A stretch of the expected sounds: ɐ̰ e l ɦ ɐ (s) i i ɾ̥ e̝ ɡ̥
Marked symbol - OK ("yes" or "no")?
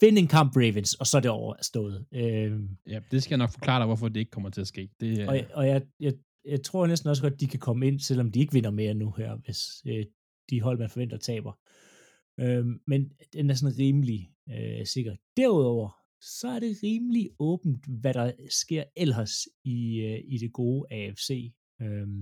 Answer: yes